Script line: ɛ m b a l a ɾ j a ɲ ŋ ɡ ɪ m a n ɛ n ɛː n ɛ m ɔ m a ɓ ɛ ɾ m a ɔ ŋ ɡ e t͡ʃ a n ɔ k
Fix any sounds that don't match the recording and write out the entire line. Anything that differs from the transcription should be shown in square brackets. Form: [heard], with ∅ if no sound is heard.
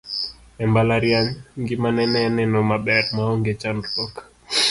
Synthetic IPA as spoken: ɛ m b a l a ɾ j a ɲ ŋ ɡ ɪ m a n ɛ n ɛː n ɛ [n] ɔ m a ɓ ɛ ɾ m a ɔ ŋ ɡ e t͡ʃ a n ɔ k